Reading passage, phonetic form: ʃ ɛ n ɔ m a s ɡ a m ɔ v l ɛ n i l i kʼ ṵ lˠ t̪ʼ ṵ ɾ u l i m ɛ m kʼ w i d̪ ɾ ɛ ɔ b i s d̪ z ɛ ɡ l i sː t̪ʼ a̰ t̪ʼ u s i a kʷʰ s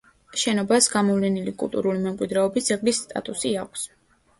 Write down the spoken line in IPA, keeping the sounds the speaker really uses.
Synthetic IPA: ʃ ɛ n ɔ b a s ɡ a m ɔ v l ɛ n i l i kʼ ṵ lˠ t̪ʼ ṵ ɾ u l i m ɛ m kʼ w i d̪ ɾ ɛ ɔ b i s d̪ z ɛ ɡ l i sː t̪ʼ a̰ t̪ʼ u s i a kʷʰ s